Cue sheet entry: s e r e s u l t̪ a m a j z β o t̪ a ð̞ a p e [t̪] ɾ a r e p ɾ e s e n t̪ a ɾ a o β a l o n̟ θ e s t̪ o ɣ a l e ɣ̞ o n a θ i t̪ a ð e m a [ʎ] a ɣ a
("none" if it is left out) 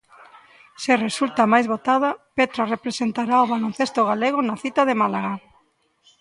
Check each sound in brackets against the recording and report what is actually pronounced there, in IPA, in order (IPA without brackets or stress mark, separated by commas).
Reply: t̪, l